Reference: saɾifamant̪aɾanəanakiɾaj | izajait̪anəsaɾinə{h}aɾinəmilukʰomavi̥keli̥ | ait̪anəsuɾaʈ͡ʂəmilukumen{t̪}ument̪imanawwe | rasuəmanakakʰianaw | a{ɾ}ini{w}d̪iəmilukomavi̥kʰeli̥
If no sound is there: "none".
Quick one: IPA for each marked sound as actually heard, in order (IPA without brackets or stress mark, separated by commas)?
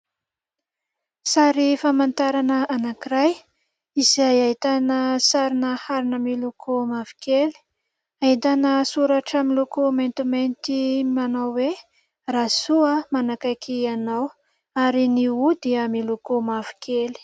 h, t̪, ɾ, u